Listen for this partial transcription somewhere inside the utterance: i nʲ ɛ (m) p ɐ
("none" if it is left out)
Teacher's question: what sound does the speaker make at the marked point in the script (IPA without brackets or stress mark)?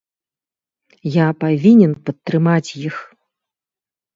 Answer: n